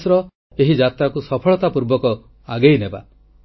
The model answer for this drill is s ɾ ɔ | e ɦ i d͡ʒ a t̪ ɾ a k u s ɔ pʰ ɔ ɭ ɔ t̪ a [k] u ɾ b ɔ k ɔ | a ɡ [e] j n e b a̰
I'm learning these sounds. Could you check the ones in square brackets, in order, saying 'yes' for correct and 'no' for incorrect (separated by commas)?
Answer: no, yes